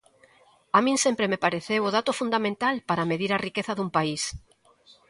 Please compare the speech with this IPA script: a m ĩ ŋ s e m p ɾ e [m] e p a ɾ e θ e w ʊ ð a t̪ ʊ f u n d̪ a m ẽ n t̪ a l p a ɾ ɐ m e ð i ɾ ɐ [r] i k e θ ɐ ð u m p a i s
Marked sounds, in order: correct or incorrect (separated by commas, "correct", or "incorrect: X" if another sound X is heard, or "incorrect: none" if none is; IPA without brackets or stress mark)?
correct, correct